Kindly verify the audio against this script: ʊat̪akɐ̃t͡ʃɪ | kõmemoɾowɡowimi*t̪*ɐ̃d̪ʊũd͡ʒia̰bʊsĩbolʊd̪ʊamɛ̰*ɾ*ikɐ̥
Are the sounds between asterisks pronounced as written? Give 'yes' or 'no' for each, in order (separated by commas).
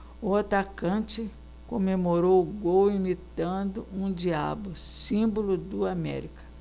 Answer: yes, yes